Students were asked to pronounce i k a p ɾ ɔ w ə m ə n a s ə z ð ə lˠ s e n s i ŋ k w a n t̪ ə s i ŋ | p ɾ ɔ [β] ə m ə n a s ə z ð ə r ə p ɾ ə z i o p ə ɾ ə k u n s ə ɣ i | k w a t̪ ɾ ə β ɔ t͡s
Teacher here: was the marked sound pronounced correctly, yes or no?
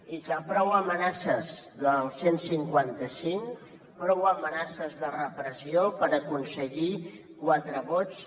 no